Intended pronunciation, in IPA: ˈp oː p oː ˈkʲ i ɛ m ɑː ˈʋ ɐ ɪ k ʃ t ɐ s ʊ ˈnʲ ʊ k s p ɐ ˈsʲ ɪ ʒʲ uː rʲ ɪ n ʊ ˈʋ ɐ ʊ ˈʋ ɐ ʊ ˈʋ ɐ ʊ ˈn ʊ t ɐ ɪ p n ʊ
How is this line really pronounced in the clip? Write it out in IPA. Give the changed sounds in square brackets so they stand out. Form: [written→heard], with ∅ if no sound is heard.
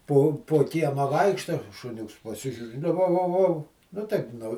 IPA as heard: ˈp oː p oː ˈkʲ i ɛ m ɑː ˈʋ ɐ ɪ k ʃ t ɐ [s→ʃ] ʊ ˈnʲ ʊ k s p ɐ ˈsʲ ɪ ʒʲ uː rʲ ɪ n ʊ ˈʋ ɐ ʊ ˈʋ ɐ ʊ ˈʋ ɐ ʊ ˈn ʊ t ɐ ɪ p n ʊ